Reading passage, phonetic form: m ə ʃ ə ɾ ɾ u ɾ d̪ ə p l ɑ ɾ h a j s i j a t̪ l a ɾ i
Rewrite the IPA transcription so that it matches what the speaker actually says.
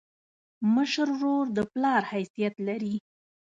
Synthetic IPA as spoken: m ə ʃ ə ɾ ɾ o ɾ d̪ ə p l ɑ ɾ h a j s i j a t̪ l a ɾ i

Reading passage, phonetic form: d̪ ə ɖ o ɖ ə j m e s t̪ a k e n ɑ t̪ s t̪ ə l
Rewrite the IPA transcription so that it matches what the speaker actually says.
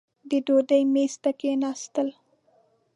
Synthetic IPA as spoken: d̪ ə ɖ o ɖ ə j m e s t̪ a k e n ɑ s t̪ ə l

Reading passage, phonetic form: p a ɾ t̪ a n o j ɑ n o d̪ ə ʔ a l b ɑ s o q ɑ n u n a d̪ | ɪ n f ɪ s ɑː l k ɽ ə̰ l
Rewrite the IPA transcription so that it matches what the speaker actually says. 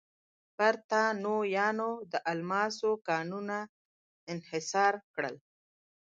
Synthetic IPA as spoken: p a ɾ t̪ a n o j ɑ n o d̪ ə ʔ a l m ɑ s o k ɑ n u n a | ɪ n h ɪ s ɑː ɾ k ɽ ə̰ l

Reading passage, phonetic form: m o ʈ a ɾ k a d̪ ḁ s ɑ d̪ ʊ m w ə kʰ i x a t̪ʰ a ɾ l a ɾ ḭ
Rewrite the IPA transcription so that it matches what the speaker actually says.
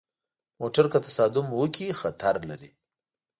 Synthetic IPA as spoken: m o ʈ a ɾ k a t̪ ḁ s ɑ d̪ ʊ m w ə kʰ i x a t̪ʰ a ɾ l a ɾ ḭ

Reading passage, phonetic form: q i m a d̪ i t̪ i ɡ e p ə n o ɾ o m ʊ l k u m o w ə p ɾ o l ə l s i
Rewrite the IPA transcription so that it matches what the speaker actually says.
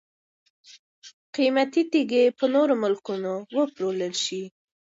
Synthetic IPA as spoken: q i m a t̪ i t̪ i ɡ e p ə n o ɾ o m ʊ l k u n o w ə p ɾ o l ə l ʃ i

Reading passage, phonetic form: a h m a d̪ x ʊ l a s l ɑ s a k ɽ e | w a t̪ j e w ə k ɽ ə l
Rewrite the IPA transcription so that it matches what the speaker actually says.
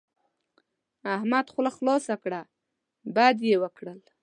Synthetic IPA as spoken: a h m a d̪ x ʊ l a x l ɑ s a k ɽ a | b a d̪ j e w ə k ɽ ə l

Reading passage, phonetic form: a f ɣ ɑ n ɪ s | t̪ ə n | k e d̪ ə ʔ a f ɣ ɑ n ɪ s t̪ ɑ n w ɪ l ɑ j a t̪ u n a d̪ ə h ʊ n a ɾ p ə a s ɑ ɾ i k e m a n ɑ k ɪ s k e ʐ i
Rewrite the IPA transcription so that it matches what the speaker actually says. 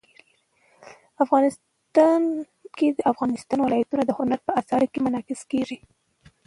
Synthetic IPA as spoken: a f ɣ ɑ n ɪ s | t̪ ɑ n | k e d̪ ə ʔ a f ɣ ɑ n ɪ s t̪ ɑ n w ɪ l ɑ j a t̪ u n a d̪ ə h ʊ n a ɾ p ə a s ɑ ɾ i k e m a n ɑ k ɪ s k e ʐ i

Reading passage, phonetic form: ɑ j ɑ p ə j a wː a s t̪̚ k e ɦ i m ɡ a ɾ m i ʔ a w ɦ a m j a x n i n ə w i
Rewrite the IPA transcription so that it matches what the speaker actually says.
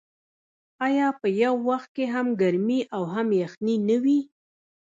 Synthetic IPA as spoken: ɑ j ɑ p ə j a wː a x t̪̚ k e ɦ a m ɡ a ɾ m i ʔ a w ɦ a m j a x n i n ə w i

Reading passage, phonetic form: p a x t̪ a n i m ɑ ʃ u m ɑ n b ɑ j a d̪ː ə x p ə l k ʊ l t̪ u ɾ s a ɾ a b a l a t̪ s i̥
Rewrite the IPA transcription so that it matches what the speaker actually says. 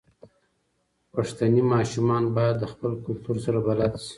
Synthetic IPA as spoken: p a ʂ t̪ a n i m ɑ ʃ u m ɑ n b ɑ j a d̪ː ə x p ə l k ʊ l t̪ u ɾ s a ɾ a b a l a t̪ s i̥

